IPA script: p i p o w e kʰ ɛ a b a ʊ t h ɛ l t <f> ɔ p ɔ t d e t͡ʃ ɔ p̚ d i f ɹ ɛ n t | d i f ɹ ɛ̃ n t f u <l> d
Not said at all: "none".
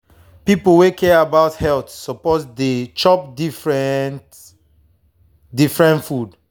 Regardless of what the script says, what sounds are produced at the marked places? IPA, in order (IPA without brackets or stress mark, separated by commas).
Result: s, none